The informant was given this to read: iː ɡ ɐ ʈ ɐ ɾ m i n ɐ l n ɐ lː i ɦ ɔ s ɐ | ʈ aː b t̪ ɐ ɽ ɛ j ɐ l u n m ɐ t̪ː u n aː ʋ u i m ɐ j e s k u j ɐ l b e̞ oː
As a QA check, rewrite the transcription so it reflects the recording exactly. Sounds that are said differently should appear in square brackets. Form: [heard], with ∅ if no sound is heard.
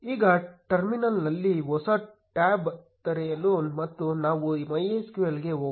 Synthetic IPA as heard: iː ɡ ɐ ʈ ɐ ɾ m i n ɐ l n ɐ lː i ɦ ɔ s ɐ | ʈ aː b t̪ ɐ [ɾ] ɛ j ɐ l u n m ɐ t̪ː u n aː ʋ u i m ɐ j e s k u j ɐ l [ɡ] e̞ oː

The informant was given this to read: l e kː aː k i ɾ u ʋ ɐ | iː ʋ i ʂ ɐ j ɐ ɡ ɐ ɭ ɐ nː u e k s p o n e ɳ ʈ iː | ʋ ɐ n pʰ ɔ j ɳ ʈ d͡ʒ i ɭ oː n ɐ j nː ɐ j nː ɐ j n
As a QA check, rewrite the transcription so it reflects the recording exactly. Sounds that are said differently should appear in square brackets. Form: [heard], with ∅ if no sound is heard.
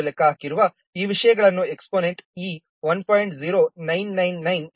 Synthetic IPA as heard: l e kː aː k i ɾ u ʋ ɐ | iː ʋ i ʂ ɐ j ɐ ɡ ɐ ɭ ɐ nː u e k s p o n e ɳ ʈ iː | ʋ ɐ n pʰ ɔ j ɳ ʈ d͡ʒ i [ɾ] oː n ɐ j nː ɐ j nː ɐ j n

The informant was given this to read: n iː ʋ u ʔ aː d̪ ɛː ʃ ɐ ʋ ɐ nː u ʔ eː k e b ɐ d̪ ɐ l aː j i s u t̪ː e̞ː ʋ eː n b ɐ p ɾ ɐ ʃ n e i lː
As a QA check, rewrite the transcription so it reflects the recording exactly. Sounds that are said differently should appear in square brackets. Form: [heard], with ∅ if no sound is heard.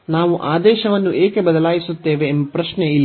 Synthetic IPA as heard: n [aː] ʋ u ʔ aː d̪ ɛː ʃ ɐ ʋ ɐ nː u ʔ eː k e b ɐ d̪ ɐ l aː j i s u t̪ː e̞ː ʋ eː [m] b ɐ p ɾ ɐ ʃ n e i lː

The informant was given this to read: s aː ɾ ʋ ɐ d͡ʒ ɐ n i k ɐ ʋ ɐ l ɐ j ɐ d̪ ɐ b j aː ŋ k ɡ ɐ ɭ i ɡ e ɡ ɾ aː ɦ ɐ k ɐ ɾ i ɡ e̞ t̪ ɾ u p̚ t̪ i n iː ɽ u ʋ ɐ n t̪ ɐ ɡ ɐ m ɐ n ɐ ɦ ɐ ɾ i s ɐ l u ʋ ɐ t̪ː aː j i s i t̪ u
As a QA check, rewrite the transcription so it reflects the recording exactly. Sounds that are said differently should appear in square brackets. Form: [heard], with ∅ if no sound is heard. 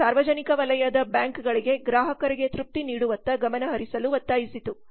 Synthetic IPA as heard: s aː ɾ ʋ ɐ d͡ʒ ɐ n i k ɐ ʋ ɐ l ɐ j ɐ d̪ ɐ b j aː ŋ k ɡ ɐ ɭ i ɡ e ɡ ɾ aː ɦ ɐ k ɐ ɾ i ɡ e̞ t̪ ɾ u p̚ t̪ i n iː ɽ u ʋ ɐ n t̪ ɐ ɡ ɐ m ɐ n ɐ ɦ ɐ ɾ i s ɐ l u ʋ ɐ t̪ː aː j i s i t̪ u

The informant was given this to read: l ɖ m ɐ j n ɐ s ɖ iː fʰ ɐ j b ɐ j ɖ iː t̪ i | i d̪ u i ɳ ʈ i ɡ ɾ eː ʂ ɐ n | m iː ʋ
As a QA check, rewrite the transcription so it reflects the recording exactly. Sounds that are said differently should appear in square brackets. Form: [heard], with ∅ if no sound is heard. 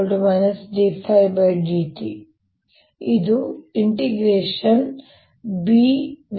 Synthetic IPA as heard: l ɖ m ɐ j n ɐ s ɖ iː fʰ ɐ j b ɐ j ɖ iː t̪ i | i d̪ u i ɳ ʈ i ɡ ɾ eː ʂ ɐ n | [b] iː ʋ

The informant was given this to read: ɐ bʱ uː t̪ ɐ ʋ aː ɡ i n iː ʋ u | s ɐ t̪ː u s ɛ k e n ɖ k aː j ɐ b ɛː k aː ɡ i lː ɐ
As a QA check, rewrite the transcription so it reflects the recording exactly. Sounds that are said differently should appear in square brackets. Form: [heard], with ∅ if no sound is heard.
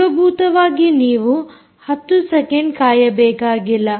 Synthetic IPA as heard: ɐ bʱ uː t̪ ɐ ʋ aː ɡ i n iː ʋ u | [h] ɐ t̪ː u s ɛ k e [ɳ] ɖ k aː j ɐ b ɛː k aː ɡ i lː ɐ

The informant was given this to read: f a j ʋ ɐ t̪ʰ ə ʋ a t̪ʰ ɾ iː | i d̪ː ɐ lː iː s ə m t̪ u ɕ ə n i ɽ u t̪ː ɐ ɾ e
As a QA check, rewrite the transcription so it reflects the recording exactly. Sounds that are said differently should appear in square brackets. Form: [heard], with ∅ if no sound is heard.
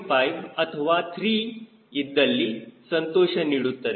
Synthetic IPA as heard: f a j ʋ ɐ t̪ʰ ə ʋ a t̪ʰ ɾ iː | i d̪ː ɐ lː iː s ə [n] t̪ [o] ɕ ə n i ɽ u t̪ː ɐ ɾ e

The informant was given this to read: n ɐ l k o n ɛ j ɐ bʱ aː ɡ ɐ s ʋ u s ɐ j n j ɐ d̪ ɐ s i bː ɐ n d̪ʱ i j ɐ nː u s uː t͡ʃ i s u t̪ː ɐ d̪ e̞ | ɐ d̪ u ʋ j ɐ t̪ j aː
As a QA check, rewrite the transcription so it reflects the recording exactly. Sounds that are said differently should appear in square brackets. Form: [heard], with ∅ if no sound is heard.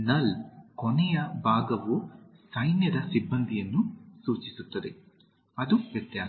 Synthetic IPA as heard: n ɐ l k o n ɛ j ɐ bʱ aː ɡ ɐ [∅] ʋ u s ɐ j n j ɐ d̪ ɐ s i bː ɐ n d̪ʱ i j ɐ nː u s uː t͡ʃ i s u t̪ː ɐ d̪ e̞ | ɐ d̪ u ʋ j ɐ t̪ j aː

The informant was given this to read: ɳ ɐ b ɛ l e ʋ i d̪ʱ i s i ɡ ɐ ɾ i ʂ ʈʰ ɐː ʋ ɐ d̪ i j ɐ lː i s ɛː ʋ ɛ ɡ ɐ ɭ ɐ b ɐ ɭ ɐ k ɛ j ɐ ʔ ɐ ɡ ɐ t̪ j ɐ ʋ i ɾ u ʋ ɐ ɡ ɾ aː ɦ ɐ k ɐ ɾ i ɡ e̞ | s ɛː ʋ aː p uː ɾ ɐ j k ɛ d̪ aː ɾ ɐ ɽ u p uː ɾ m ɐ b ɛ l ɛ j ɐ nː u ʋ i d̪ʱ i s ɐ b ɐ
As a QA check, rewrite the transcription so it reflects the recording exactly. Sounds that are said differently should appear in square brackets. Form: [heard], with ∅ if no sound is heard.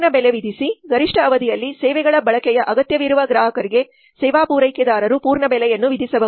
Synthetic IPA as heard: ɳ ɐ b ɛ l e ʋ i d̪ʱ i s i ɡ ɐ ɾ i ʂ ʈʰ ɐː ʋ ɐ d̪ i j ɐ lː i s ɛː ʋ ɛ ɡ ɐ ɭ ɐ b ɐ ɭ ɐ k ɛ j ɐ ʔ ɐ ɡ ɐ t̪ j ɐ ʋ i ɾ u ʋ ɐ ɡ ɾ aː ɦ ɐ k ɐ ɾ i ɡ e̞ | s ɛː ʋ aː p uː ɾ ɐ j k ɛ d̪ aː ɾ ɐ [ɾ] u p uː ɾ [ɳ] ɐ b ɛ l ɛ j ɐ nː u ʋ i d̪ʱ i s ɐ b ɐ

